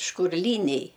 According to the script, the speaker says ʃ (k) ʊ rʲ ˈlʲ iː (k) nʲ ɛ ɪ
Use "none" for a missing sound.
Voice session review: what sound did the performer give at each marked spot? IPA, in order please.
k, none

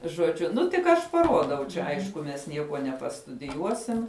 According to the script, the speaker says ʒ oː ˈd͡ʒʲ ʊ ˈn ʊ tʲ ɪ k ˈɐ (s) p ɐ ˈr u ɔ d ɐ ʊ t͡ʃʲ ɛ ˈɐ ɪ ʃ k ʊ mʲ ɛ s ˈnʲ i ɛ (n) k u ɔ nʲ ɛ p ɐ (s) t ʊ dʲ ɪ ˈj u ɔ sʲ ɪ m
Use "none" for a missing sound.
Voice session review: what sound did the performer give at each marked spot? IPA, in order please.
ʃ, none, s

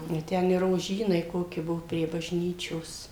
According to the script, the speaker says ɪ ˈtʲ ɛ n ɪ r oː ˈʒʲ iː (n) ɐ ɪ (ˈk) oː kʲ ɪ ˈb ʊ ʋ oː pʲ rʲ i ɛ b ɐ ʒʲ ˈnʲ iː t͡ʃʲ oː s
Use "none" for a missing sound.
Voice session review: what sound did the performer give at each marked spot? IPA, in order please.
n, k

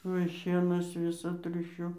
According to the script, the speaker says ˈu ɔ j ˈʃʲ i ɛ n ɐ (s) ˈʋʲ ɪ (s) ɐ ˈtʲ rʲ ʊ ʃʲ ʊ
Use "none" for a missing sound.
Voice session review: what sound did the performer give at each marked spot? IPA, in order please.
s, s

